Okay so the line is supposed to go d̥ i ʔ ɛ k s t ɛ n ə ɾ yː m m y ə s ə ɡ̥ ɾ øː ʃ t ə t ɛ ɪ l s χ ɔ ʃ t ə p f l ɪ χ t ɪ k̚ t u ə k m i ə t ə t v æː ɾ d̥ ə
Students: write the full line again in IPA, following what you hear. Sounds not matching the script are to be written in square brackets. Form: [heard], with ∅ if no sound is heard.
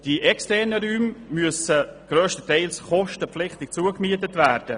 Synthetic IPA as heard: d̥ i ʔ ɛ k s t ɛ n ə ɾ yː m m y ə s ə ɡ̥ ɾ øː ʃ t ə t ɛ ɪ l s χ ɔ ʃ t ə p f l ɪ χ t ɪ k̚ [t͡s] u ə k m i ə t ə t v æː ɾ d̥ ə